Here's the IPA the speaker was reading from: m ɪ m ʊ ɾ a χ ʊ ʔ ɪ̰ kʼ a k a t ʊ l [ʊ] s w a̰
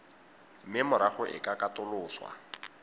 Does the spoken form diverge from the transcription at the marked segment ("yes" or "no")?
yes